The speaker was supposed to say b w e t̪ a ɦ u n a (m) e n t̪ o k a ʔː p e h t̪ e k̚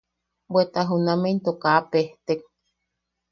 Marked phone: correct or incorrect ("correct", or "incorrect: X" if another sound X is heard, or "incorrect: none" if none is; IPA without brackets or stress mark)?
correct